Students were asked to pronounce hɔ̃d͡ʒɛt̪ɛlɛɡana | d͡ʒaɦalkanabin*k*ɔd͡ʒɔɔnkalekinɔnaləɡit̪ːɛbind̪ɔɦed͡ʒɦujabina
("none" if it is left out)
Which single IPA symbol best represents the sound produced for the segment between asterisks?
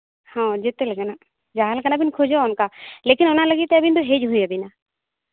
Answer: kʰ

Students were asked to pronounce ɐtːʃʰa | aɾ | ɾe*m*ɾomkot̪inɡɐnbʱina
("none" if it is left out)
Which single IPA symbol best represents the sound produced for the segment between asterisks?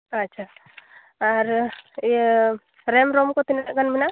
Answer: m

